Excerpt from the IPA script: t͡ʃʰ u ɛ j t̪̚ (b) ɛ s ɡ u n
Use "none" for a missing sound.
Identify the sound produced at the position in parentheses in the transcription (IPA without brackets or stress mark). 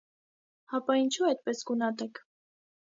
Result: p